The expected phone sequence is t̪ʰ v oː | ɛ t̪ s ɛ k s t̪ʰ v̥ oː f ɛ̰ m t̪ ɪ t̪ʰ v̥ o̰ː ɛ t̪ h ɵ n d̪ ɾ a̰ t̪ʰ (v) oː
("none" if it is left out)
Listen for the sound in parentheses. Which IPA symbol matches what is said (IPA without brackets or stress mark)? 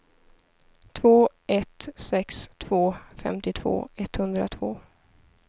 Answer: v